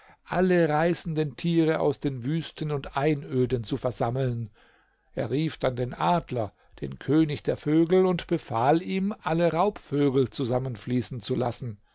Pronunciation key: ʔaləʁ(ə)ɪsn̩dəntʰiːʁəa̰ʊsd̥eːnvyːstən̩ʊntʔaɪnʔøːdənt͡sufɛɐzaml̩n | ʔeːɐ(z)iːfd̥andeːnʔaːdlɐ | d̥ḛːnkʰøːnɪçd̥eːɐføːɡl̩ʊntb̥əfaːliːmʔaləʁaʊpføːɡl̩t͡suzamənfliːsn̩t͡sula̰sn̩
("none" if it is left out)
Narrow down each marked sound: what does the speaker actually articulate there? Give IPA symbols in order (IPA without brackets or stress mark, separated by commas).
a, ʁ